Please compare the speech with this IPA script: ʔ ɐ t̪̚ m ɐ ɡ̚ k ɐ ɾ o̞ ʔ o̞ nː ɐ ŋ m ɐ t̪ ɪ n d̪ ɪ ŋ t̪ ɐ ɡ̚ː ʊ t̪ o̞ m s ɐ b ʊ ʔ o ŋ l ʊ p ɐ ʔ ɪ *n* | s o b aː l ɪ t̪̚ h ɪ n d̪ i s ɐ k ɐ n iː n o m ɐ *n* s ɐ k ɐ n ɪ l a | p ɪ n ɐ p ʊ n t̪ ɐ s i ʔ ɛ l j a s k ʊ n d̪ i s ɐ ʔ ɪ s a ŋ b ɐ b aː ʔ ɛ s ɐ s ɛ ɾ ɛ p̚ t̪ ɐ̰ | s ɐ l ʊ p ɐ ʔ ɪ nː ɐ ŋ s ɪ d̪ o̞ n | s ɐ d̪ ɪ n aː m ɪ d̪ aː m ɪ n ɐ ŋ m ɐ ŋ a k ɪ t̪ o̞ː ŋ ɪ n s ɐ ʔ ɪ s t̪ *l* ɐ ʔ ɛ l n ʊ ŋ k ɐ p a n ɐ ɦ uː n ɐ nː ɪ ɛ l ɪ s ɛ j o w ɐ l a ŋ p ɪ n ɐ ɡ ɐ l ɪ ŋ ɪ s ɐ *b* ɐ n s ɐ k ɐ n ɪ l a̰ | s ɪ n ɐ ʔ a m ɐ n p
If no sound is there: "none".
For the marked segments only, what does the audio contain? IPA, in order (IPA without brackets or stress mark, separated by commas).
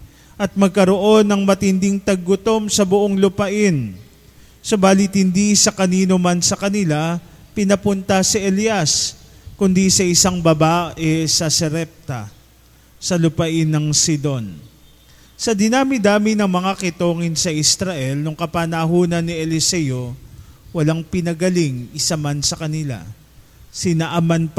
n, n, ɾ, m